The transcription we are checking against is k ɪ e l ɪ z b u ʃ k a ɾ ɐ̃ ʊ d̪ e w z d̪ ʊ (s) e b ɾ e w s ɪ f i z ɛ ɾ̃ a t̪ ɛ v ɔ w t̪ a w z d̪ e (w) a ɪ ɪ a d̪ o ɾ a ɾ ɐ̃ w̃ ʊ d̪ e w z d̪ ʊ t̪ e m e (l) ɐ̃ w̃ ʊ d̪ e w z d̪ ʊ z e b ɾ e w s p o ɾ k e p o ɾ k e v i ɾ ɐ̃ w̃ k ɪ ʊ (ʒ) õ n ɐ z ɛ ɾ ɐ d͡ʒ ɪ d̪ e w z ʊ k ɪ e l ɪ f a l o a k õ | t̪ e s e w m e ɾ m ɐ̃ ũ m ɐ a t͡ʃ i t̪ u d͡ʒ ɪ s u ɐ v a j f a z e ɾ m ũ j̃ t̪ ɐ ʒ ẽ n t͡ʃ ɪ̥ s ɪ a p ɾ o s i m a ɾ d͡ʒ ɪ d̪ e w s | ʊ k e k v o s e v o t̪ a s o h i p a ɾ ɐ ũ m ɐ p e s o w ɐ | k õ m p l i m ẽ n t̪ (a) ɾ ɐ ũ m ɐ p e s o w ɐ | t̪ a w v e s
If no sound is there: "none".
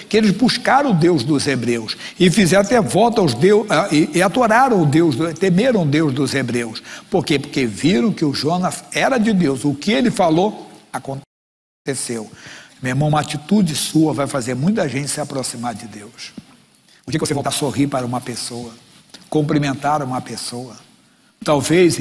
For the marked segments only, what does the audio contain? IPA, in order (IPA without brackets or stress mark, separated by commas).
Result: z, w, ɾ, ʒ, a